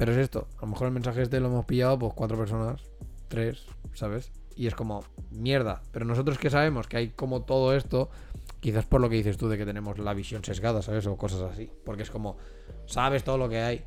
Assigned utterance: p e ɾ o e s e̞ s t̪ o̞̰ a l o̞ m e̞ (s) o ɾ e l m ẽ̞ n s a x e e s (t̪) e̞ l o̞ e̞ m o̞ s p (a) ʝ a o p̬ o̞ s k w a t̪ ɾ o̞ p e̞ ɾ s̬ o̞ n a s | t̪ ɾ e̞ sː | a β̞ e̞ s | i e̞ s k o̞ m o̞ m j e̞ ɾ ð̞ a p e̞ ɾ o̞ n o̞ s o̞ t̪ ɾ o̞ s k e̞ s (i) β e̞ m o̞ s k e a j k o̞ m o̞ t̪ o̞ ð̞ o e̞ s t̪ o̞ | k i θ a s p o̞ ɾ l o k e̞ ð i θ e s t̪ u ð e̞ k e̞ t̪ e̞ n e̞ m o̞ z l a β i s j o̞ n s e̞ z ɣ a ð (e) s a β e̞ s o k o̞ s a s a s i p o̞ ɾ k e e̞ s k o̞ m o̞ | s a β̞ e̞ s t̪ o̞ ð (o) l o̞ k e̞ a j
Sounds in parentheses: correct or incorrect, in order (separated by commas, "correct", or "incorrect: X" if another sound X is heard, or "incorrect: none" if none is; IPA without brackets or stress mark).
incorrect: x, correct, incorrect: i, incorrect: a, incorrect: a, correct